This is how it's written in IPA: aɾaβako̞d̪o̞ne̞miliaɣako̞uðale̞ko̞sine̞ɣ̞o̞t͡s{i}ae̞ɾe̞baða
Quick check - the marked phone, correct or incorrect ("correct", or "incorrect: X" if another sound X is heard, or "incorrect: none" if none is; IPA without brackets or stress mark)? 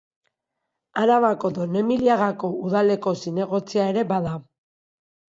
correct